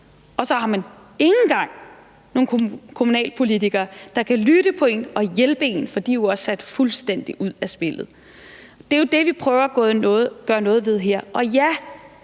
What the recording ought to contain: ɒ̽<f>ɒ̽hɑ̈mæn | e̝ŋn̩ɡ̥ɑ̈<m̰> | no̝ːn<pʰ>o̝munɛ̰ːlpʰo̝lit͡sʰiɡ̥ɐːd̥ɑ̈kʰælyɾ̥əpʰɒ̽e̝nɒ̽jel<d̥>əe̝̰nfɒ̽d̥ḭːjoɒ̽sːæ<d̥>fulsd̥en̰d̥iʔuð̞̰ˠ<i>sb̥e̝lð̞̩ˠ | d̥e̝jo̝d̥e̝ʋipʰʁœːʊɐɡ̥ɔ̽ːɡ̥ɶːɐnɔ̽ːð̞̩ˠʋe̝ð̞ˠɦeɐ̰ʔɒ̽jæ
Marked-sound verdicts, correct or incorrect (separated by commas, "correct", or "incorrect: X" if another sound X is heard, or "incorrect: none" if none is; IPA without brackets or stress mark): incorrect: s, incorrect: ŋ̰, incorrect: kʰ, incorrect: b̥, correct, incorrect: æ